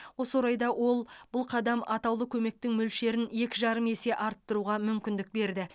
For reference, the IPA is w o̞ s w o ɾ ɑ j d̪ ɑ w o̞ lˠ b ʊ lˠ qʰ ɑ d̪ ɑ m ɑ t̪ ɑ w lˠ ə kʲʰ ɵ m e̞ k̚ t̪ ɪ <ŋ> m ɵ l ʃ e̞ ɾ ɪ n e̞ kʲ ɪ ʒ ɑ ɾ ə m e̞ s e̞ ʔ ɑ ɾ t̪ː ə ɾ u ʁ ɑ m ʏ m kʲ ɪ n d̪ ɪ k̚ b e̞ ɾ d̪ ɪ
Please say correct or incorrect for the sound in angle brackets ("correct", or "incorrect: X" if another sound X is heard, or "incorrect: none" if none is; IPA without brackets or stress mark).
correct